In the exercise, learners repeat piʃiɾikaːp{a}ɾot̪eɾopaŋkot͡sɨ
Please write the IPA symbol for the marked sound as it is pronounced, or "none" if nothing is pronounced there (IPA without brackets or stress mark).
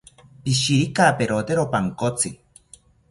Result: e